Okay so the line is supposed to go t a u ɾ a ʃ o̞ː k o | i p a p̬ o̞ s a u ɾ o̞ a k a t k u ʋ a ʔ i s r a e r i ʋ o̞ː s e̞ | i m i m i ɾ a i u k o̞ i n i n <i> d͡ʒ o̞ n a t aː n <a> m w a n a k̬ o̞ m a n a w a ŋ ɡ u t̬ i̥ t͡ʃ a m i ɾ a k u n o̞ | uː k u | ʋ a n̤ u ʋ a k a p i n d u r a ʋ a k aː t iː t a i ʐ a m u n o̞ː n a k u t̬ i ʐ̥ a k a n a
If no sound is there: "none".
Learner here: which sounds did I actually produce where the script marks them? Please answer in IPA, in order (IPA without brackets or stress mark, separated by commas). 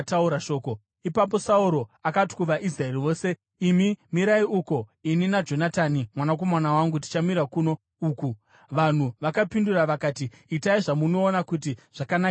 a, i